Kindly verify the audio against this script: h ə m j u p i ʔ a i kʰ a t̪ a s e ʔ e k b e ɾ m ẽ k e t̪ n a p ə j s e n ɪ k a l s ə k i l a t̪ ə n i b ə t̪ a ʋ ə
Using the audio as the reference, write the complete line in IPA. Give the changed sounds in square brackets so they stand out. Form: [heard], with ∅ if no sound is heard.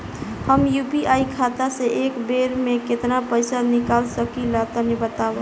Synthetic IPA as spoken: h ə m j u p i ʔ a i kʰ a t̪ a s e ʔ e k b e ɾ m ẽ k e t̪ n a p ə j s [a] n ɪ k a l s ə k i l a t̪ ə n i b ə t̪ a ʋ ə